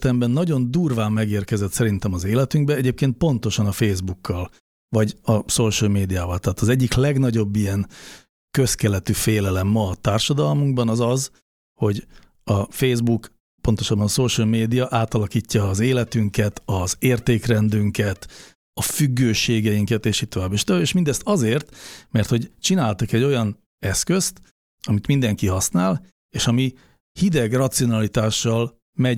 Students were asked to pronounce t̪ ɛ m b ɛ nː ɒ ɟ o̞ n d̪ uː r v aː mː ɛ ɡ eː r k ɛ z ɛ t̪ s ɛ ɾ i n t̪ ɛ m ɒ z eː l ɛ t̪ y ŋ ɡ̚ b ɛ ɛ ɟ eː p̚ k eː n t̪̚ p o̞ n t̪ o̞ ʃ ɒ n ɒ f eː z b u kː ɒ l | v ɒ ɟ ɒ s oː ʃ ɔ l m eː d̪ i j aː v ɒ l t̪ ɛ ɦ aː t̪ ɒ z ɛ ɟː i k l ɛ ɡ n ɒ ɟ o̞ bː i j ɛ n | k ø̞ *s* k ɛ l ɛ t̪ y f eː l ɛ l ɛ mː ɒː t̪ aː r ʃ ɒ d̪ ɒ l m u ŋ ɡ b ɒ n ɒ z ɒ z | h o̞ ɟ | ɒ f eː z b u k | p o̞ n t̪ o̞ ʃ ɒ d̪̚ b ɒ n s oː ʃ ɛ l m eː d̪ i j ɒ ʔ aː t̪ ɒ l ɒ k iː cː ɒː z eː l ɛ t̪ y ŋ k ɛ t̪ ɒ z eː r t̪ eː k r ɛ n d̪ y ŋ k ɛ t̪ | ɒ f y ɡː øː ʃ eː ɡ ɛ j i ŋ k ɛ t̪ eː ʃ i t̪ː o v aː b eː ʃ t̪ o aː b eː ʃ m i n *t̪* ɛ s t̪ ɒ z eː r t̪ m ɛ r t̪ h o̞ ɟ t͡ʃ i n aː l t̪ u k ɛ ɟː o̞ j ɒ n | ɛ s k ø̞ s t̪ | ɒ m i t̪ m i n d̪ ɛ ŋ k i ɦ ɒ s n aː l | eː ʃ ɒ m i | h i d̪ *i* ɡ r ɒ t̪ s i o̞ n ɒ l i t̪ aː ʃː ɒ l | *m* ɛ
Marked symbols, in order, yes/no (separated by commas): yes, no, no, yes